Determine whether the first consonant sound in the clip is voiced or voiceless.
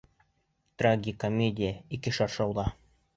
voiceless